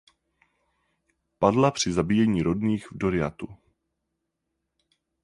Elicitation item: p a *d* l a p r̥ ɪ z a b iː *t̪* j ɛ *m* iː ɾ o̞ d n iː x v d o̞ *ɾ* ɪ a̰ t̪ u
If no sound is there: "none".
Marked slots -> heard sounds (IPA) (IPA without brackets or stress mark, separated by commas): d, none, ɲ, ɾ